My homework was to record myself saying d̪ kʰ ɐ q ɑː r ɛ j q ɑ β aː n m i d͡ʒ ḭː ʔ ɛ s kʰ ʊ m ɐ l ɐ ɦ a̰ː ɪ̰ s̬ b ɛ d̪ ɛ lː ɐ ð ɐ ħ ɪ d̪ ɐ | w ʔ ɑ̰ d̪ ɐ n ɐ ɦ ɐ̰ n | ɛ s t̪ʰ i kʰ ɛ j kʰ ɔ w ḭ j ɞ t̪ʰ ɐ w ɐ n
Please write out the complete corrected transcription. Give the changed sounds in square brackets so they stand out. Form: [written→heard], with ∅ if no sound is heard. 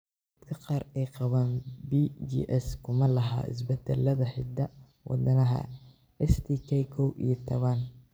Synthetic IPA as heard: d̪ kʰ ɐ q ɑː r ɛ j q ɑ β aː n [m→b] i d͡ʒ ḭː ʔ ɛ s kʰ ʊ m ɐ l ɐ ɦ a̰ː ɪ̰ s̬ b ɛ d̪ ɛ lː ɐ ð ɐ ħ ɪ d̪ ɐ | w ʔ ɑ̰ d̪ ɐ n ɐ ɦ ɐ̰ [n→∅] | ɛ s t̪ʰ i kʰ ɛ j kʰ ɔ w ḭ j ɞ t̪ʰ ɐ [w→β] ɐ n